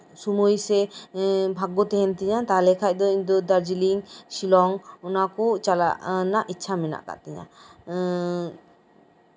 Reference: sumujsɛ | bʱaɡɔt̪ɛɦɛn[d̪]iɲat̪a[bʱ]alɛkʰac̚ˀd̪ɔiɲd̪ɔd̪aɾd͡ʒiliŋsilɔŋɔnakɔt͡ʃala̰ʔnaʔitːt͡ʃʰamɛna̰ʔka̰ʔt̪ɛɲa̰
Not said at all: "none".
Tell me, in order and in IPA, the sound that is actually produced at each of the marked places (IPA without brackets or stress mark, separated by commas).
t̪, none